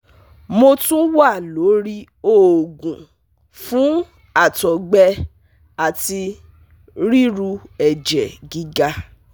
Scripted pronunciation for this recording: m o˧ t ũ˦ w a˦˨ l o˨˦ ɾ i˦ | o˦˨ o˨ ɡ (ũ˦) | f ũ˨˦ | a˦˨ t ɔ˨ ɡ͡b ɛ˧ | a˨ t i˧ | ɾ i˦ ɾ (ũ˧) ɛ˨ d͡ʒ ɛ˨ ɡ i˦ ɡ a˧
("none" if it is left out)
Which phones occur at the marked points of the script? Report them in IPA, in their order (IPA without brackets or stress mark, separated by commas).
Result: ũ˨, u˧